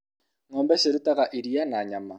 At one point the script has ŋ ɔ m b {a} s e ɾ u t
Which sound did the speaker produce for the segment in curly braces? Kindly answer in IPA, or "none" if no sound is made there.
ɛ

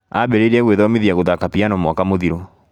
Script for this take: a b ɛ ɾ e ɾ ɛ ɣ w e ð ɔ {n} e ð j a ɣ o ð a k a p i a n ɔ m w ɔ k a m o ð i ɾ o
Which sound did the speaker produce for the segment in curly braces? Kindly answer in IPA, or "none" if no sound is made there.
m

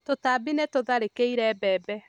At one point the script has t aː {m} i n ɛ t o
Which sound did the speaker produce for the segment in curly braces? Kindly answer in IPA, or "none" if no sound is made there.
b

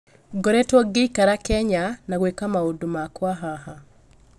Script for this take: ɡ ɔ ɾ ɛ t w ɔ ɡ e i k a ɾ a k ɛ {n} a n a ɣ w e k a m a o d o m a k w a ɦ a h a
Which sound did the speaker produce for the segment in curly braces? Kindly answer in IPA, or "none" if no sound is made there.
ɲ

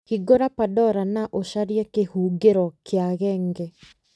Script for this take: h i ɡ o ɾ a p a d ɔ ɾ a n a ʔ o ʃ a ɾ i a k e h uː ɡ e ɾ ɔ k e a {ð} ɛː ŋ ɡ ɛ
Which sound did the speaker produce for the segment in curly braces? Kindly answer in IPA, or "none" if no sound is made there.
ɣ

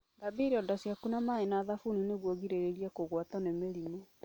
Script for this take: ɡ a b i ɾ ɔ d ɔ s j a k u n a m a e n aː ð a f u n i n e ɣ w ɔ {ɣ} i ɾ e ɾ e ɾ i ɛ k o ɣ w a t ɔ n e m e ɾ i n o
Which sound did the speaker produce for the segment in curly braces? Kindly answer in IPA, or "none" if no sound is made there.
ɣ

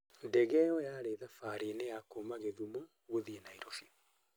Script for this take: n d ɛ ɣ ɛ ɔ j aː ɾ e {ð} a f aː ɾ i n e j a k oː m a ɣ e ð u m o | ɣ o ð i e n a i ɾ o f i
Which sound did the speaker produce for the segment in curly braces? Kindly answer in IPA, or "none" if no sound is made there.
ð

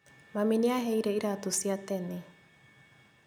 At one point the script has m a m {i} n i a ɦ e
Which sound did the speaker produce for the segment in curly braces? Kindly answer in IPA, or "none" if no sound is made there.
i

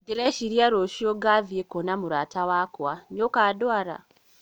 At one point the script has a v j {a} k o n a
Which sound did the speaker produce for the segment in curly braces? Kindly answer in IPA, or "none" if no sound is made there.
e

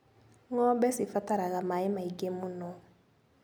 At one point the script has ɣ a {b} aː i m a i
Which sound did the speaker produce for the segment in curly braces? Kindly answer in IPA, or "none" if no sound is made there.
m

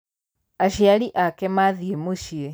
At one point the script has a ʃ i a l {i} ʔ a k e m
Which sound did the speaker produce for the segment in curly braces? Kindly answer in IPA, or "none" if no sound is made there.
i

